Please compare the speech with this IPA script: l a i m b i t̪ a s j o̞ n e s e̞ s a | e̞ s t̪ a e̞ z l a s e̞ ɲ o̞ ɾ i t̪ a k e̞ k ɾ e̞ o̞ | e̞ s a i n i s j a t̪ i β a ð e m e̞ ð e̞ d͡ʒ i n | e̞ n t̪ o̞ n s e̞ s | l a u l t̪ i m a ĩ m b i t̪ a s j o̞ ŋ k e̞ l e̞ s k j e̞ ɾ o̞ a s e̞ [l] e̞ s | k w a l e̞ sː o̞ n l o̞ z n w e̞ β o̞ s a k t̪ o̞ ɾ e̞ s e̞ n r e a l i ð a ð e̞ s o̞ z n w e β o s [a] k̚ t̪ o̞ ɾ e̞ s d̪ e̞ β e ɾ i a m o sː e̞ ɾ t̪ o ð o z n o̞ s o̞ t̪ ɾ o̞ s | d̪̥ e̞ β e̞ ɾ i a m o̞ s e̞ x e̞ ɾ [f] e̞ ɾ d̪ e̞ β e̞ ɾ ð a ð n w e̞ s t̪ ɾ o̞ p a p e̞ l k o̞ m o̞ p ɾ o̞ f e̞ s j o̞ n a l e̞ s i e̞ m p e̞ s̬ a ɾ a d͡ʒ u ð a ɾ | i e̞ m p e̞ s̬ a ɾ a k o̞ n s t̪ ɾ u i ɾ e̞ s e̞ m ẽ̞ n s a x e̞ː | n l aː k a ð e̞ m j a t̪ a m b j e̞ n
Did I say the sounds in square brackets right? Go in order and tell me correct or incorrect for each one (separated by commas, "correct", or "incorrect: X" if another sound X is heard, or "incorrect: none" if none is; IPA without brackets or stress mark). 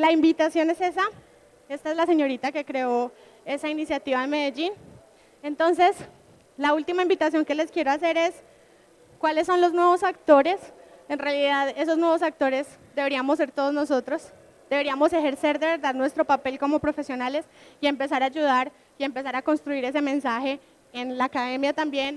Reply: incorrect: ɾ, correct, incorrect: s